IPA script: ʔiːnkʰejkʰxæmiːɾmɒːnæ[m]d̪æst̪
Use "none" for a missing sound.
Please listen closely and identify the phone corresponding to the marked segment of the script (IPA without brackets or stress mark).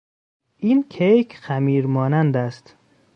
n